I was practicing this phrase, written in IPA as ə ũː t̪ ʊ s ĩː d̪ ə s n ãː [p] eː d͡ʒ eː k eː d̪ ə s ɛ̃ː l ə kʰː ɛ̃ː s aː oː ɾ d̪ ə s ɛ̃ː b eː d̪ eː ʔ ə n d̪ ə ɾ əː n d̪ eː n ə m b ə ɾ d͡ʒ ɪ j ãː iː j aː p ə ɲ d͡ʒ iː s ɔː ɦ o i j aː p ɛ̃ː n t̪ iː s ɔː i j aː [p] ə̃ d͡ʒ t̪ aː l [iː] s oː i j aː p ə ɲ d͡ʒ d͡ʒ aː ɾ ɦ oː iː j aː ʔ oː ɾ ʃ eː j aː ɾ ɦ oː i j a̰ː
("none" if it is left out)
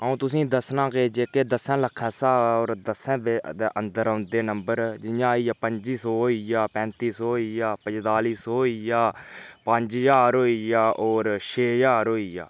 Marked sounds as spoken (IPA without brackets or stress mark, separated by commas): k, p, iː